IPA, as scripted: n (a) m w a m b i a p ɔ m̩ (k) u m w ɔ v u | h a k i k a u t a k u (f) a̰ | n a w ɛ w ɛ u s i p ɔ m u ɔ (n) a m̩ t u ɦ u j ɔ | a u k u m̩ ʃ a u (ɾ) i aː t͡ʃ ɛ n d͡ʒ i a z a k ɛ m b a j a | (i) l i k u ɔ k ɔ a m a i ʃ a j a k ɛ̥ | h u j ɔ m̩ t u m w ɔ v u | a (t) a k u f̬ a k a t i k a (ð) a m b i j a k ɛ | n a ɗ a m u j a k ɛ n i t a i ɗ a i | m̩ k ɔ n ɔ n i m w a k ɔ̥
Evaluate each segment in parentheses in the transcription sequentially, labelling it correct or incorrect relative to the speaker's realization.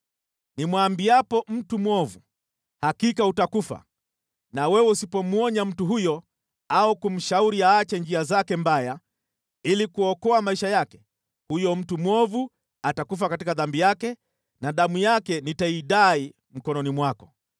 incorrect, incorrect, correct, incorrect, correct, correct, correct, correct

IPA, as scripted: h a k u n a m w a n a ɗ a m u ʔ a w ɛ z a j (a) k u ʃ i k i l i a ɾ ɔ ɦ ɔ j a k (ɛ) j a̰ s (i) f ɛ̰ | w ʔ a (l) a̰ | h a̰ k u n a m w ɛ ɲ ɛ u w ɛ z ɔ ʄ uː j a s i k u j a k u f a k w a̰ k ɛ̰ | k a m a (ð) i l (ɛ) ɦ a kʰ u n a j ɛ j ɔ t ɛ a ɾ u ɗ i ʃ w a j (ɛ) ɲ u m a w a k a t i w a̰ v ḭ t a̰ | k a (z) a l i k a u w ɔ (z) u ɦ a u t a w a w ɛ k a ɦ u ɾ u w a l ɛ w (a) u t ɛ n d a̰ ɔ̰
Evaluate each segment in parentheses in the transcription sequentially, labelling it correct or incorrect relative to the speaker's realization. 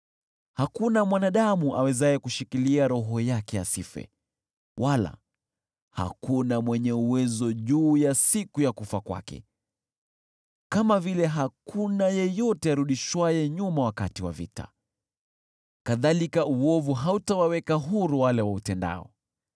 incorrect, correct, correct, correct, incorrect, correct, correct, incorrect, incorrect, correct

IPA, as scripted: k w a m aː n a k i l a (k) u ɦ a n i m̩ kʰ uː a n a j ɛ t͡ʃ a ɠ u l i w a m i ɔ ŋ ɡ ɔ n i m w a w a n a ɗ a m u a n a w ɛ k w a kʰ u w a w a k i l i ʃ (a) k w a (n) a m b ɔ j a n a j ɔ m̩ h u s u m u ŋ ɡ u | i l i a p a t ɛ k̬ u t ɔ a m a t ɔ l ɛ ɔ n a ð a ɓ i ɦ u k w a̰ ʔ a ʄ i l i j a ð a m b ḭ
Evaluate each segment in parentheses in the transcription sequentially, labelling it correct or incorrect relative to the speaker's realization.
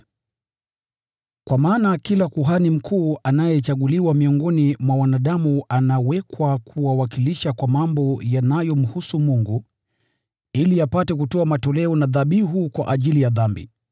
correct, correct, incorrect

